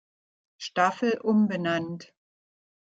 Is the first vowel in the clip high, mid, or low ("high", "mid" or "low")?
low